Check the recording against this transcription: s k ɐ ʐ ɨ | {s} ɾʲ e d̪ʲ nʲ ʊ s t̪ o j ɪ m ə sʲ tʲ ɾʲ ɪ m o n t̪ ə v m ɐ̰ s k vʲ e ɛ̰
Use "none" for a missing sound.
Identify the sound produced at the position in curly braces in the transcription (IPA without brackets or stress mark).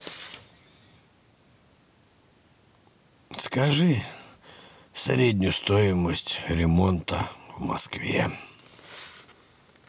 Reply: s